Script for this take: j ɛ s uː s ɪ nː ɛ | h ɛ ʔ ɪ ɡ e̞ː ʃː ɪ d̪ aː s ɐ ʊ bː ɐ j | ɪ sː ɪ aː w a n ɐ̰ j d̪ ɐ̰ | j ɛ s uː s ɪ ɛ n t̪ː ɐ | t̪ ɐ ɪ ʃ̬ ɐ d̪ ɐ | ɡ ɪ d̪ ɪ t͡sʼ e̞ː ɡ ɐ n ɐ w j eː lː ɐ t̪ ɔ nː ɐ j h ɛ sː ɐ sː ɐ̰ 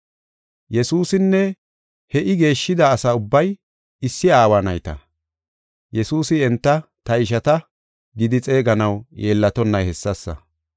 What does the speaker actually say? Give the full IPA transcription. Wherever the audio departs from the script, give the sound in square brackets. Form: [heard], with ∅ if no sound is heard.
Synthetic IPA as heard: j ɛ s uː s ɪ nː ɛ | h ɛ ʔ ɪ ɡ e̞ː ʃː ɪ d̪ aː s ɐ ʊ bː ɐ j | ɪ sː ɪ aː w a n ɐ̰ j [t̪] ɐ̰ | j ɛ s uː s ɪ ɛ n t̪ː ɐ | t̪ ɐ ɪ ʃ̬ ɐ [t̪] ɐ | ɡ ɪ d̪ ɪ t͡sʼ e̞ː ɡ ɐ n ɐ w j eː lː ɐ t̪ ɔ nː ɐ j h ɛ sː ɐ sː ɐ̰